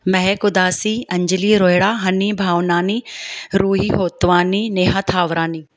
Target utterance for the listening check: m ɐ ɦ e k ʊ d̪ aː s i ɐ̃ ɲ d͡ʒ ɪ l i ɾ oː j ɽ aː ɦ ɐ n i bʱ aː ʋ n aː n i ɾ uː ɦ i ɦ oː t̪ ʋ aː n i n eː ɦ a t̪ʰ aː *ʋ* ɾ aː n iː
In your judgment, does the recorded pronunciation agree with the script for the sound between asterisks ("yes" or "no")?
yes